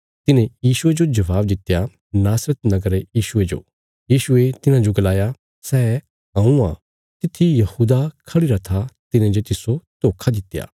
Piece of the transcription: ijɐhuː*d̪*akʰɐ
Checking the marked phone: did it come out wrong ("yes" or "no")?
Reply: no